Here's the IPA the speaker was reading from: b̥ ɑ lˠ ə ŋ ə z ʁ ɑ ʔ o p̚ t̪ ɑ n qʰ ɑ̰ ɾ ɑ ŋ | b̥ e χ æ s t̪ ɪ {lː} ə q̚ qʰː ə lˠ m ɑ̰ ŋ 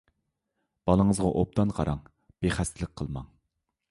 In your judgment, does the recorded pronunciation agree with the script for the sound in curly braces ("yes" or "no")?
no